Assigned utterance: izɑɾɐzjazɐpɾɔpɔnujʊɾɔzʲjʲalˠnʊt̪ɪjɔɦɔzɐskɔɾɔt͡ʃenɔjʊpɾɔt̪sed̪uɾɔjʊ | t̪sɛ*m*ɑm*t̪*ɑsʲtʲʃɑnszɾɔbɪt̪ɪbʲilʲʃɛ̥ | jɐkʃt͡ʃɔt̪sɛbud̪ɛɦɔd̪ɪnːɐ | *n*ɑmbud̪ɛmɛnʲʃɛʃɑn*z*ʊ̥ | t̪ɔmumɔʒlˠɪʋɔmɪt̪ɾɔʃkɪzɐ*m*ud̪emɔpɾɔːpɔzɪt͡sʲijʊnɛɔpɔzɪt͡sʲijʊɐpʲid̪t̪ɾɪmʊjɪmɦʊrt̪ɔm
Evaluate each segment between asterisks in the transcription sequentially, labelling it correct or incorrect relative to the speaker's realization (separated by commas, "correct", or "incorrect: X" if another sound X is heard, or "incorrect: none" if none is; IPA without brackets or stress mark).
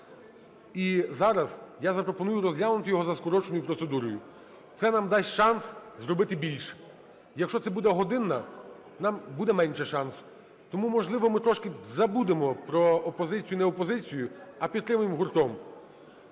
incorrect: n, incorrect: d̪, correct, incorrect: s, incorrect: b